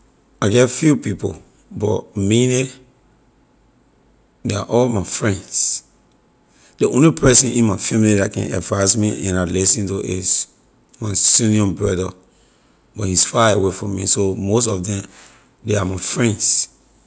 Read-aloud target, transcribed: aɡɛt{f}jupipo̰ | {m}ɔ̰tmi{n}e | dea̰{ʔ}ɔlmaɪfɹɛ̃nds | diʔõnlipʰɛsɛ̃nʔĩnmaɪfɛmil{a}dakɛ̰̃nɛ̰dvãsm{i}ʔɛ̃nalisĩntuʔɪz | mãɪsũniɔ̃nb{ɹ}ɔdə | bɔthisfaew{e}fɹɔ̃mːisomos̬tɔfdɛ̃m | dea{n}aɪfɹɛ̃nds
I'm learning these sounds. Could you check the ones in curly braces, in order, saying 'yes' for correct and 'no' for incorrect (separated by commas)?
yes, no, yes, yes, no, yes, yes, yes, no